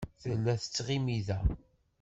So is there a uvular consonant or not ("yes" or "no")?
yes